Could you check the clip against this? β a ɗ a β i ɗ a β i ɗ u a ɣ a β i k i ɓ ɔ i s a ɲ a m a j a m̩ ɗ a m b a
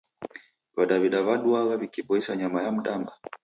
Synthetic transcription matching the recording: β a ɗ a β i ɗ a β a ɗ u a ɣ a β i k i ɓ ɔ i s a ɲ a m a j a m̩ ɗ a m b a